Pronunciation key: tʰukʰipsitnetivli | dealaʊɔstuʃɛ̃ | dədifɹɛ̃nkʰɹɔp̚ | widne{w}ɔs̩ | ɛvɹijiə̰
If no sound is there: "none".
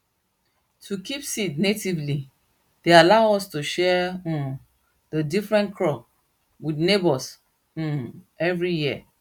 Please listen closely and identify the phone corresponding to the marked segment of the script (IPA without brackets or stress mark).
b